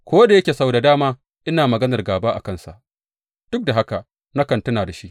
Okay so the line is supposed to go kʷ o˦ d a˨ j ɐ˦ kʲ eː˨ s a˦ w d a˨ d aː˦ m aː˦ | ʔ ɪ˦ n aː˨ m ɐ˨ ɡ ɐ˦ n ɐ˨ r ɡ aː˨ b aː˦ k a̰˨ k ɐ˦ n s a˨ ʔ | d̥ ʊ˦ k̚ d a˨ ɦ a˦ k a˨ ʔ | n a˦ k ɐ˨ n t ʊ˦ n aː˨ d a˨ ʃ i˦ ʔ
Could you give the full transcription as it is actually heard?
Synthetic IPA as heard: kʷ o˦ d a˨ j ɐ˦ kʲ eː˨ s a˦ w d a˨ d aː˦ m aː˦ | ʔ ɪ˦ n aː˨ m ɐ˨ ɡ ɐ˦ n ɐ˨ r ɡ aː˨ b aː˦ ʔ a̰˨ k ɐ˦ n s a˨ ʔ | d̥ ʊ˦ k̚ d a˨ ɦ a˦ k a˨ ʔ | n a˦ k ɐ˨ n t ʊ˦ n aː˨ d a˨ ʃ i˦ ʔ